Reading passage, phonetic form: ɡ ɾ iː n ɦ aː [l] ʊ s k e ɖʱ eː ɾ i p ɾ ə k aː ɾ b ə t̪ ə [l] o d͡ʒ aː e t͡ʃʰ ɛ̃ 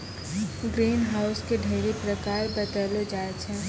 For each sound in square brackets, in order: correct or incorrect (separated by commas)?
incorrect, correct